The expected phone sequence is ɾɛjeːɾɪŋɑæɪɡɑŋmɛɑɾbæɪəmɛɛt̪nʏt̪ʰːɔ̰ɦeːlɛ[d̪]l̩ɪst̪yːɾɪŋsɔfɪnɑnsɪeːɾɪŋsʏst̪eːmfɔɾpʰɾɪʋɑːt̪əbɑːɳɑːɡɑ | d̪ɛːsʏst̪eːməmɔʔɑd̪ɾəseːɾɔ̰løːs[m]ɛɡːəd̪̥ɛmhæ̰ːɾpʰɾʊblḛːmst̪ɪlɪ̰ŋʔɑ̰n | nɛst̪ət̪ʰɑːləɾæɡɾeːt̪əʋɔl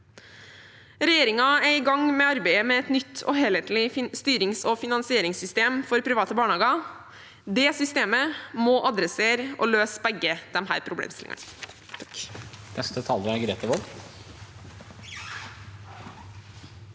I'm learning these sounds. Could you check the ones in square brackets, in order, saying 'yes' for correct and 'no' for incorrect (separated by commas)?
no, no